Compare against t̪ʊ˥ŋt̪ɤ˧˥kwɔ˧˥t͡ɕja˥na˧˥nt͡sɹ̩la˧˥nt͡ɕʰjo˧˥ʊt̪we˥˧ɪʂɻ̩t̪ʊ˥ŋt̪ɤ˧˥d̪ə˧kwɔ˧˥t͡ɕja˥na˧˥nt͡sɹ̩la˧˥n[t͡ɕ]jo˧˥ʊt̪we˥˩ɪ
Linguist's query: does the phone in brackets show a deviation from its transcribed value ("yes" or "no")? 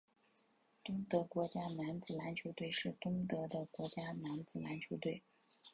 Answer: yes